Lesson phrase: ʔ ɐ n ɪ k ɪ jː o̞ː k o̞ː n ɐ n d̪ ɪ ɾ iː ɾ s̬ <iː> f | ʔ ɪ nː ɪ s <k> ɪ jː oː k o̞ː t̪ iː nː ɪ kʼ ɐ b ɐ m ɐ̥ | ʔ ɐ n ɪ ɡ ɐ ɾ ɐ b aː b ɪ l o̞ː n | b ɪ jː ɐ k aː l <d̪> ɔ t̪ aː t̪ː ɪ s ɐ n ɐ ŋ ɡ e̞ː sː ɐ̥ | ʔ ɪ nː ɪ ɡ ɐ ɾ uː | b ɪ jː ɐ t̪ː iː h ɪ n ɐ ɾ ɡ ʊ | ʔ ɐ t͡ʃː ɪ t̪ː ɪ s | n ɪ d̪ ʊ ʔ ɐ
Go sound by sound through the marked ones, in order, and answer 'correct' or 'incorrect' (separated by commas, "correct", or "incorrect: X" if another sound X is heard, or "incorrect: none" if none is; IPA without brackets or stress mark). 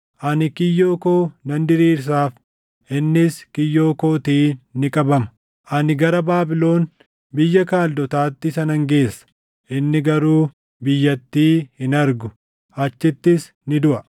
incorrect: aː, correct, correct